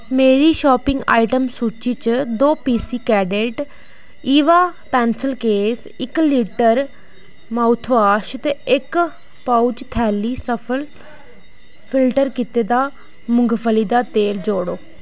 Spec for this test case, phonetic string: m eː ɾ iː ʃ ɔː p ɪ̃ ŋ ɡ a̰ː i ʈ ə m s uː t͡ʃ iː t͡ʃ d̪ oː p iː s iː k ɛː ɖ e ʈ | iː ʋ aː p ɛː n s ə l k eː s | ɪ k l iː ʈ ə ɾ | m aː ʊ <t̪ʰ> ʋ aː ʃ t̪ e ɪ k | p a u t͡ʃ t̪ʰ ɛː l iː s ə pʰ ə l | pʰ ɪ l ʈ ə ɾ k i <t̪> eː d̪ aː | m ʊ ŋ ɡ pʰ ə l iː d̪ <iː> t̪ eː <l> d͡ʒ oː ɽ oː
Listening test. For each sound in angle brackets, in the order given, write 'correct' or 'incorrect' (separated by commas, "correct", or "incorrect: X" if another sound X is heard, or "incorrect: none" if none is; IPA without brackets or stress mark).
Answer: correct, correct, incorrect: aː, correct